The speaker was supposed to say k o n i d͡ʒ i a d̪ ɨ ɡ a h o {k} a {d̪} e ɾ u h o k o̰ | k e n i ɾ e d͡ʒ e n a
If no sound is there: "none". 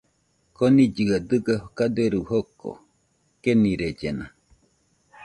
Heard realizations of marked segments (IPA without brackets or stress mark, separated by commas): k, d̪